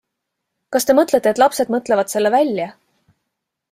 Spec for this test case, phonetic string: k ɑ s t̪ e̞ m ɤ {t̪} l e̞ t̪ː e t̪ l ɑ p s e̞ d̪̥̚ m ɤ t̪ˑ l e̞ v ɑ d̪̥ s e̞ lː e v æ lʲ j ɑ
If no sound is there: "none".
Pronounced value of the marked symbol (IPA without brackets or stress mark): t̪